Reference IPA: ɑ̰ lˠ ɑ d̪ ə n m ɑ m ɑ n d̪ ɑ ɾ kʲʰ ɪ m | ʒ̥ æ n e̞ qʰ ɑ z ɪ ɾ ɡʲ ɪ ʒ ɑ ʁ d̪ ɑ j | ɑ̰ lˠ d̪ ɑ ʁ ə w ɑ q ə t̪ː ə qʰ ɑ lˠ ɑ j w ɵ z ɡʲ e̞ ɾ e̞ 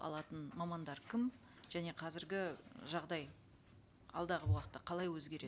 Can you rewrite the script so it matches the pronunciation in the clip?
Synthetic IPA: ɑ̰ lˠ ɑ t̪ ə n m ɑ m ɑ n d̪ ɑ ɾ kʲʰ ɪ m | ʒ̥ æ n e̞ qʰ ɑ z ɪ ɾ ɡʲ ɪ ʒ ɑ ʁ d̪ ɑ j | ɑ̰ lˠ d̪ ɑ ʁ ə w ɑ q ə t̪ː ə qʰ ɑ lˠ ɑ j w ɵ z ɡʲ e̞ ɾ e̞